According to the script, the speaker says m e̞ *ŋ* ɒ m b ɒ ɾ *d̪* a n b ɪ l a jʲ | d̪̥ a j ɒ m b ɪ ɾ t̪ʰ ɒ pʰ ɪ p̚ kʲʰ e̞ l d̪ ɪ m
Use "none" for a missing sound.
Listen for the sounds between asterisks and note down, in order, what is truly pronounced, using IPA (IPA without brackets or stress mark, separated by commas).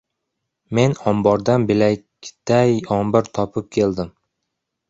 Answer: n, d̪